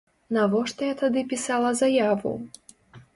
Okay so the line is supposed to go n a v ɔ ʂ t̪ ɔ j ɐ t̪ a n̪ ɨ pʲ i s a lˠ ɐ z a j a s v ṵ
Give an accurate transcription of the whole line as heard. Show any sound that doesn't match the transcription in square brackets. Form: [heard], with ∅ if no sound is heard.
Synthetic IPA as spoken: n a v ɔ ʂ t̪ ɔ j [a] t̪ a [d̪] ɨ pʲ i s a lˠ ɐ z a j a [∅] v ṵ